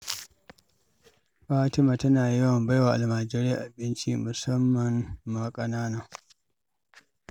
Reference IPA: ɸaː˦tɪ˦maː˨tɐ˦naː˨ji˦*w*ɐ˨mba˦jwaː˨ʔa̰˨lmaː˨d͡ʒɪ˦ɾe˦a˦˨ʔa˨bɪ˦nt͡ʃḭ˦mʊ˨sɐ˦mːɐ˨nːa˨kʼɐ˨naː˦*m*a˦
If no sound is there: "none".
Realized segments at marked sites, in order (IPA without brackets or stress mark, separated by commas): w, n